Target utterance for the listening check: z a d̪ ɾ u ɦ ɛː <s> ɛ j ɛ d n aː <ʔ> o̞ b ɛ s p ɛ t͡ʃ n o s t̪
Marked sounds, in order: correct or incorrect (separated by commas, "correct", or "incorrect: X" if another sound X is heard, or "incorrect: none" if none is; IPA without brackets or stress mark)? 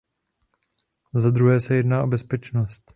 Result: correct, correct